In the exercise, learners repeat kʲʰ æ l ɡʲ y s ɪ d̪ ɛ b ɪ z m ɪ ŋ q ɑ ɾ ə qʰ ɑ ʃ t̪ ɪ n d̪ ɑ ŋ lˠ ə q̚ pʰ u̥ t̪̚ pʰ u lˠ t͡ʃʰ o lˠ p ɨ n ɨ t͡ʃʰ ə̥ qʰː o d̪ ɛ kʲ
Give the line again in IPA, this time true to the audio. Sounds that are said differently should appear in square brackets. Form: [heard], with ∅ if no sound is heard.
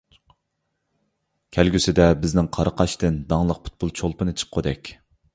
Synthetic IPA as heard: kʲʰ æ l ɡʲ y s ɪ d̪ ɛ b ɪ z [n] ɪ ŋ [qʰ] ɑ ɾ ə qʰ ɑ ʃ t̪ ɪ n d̪ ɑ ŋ lˠ ə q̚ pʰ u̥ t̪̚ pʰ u lˠ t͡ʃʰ o lˠ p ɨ n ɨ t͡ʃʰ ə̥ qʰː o d̪ ɛ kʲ